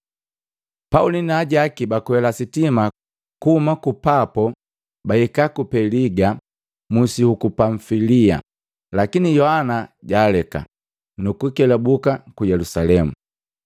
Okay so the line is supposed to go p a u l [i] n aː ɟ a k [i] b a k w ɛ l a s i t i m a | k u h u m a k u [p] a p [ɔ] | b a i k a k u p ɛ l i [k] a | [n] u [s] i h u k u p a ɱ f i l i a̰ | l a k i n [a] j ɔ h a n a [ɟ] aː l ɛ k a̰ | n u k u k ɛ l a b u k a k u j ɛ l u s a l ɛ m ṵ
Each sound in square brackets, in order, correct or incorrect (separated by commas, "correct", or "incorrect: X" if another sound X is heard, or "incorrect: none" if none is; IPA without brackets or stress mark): correct, correct, correct, correct, incorrect: ɡ, incorrect: m, correct, incorrect: i, correct